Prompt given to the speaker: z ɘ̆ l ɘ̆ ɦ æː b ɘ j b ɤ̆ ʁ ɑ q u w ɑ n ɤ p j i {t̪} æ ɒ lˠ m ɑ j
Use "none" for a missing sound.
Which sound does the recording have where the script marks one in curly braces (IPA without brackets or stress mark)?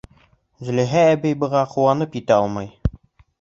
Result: t̪